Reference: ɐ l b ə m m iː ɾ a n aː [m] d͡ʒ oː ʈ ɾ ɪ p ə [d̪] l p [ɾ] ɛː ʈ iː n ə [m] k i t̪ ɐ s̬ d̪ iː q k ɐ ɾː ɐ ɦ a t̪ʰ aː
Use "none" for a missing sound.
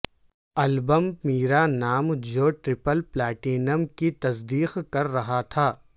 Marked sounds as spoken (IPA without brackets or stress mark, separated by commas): m, none, l, m